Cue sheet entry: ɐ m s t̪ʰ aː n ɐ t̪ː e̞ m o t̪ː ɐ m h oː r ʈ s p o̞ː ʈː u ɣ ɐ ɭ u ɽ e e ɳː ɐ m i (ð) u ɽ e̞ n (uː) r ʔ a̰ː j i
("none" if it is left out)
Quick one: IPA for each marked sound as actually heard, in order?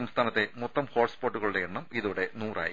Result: ð, uː

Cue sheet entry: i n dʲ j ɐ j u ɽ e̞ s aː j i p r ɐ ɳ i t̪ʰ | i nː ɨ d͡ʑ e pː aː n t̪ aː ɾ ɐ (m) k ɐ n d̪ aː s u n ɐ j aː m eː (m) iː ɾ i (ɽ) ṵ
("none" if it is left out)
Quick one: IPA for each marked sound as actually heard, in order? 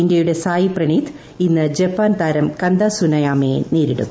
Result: m, n, ɽ

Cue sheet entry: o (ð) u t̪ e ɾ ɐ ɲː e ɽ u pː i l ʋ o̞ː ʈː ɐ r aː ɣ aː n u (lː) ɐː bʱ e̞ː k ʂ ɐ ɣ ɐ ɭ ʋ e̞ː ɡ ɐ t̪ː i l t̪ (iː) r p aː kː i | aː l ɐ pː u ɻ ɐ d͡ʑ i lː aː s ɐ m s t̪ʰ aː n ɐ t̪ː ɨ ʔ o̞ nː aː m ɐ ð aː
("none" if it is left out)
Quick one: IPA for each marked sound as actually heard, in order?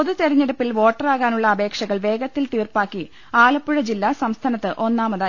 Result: ð, ɭː, iː

